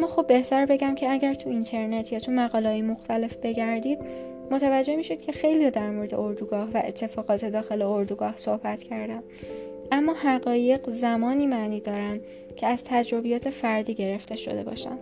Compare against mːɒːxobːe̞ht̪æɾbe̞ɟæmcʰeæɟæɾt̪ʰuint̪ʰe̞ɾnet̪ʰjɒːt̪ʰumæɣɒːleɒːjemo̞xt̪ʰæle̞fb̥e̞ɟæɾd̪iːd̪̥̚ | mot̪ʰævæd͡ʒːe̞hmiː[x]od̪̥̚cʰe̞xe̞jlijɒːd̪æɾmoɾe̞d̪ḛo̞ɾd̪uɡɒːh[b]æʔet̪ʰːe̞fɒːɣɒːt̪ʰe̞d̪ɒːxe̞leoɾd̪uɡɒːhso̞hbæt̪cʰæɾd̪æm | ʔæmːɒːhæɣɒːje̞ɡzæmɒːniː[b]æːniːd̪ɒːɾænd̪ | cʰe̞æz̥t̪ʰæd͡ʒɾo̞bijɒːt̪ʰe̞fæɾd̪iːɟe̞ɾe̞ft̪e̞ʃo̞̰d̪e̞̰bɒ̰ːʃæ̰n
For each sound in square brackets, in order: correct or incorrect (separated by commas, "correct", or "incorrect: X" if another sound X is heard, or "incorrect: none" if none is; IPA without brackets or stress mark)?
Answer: incorrect: ʃ, incorrect: v, incorrect: m